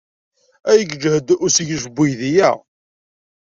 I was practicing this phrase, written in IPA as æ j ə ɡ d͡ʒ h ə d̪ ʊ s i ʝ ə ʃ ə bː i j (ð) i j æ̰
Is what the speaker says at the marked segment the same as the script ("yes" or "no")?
yes